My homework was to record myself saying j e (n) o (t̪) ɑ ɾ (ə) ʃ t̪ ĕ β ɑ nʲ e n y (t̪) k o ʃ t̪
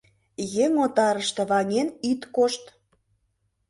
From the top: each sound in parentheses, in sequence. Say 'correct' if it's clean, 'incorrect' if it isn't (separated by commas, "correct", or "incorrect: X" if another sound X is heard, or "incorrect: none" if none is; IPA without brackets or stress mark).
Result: incorrect: ŋ, correct, correct, correct